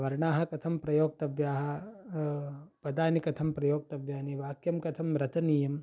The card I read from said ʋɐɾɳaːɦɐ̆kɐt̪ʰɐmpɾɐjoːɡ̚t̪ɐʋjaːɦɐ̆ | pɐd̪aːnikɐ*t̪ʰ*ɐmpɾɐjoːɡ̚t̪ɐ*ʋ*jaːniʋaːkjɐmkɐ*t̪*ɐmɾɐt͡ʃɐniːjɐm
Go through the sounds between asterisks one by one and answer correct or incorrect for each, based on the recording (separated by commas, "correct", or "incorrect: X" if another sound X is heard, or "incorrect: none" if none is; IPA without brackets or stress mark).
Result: correct, correct, incorrect: t̪ʰ